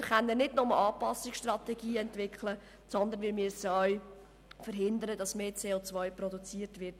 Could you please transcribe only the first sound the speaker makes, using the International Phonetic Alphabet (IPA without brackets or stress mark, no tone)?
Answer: χ